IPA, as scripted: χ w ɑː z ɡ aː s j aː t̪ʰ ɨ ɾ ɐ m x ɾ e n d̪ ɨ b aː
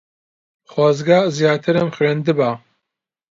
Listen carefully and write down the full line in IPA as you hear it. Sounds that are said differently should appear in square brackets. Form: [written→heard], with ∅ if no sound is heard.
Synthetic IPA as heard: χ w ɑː z ɡ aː [s→z] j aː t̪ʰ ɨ ɾ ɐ m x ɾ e n d̪ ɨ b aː